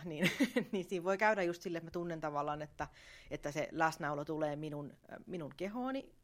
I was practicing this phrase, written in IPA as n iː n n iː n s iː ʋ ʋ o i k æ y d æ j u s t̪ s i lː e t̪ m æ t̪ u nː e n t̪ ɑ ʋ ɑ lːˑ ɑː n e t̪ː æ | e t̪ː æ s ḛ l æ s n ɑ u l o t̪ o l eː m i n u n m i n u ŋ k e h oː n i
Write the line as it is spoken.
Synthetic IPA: n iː n n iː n s iː ʋ ʋ o i k æ y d æ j u s t̪ s i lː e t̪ m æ t̪ u nː e n t̪ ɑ ʋ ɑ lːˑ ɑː n e t̪ː æ | e t̪ː æ s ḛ l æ s n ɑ u l o t̪ u l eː m i n u n m i n u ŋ k e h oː n i